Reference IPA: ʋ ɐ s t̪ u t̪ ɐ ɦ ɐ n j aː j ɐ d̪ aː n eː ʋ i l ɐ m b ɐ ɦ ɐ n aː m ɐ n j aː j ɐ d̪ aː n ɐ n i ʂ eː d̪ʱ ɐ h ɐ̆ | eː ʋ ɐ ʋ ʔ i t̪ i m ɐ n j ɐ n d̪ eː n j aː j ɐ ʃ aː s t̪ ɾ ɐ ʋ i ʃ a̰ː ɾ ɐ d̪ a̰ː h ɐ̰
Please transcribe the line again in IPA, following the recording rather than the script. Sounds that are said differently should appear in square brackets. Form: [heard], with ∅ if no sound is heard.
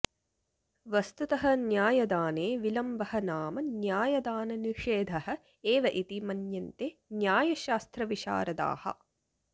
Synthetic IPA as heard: ʋ ɐ s t̪ u t̪ ɐ ɦ ɐ n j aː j ɐ d̪ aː n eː ʋ i l ɐ m b ɐ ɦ ɐ n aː m ɐ n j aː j ɐ d̪ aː n ɐ n i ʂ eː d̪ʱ ɐ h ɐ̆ | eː ʋ ɐ [∅] ʔ i t̪ i m ɐ n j ɐ n [t̪] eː n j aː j ɐ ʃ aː s t̪ ɾ ɐ ʋ i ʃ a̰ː ɾ ɐ d̪ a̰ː h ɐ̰